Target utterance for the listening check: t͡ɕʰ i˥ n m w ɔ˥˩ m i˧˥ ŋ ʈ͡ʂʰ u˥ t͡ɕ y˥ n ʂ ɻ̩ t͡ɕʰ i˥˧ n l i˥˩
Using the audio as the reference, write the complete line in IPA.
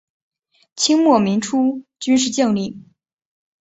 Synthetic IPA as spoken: t͡ɕʰ i˥ ŋ m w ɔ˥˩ m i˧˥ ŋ ʈ͡ʂʰ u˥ t͡ɕ y˥ n ʂ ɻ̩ t͡ɕ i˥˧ ŋ l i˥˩